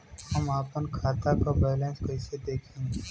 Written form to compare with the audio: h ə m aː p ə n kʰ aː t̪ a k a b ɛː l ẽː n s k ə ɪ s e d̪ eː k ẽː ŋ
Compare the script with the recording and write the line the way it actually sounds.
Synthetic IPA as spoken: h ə m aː p ə n kʰ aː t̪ a k a b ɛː l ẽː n s k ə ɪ s e d̪ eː kʰ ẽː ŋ